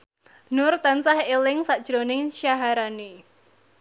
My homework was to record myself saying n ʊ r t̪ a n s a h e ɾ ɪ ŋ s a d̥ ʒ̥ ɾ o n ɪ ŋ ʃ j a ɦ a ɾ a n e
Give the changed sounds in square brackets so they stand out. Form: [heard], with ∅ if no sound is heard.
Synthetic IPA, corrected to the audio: n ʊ r t̪ a n s a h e [l] ɪ ŋ s a d̥ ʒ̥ ɾ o n ɪ ŋ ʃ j a ɦ a ɾ a n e